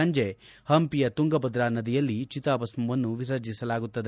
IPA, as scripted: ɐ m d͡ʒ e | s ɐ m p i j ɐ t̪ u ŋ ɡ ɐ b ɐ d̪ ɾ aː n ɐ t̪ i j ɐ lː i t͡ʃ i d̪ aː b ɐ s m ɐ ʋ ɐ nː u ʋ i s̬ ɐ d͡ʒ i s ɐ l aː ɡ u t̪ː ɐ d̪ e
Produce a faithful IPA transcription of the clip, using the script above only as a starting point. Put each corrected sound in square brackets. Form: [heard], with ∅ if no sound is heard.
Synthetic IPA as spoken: ɐ [ɲ] d͡ʒ e | [h] ɐ m p i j ɐ t̪ u ŋ ɡ ɐ b ɐ d̪ ɾ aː n ɐ [d̪] i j ɐ lː i t͡ʃ i [t̪] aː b ɐ s m ɐ ʋ ɐ nː u ʋ i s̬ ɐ d͡ʒ i s ɐ l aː ɡ u t̪ː ɐ d̪ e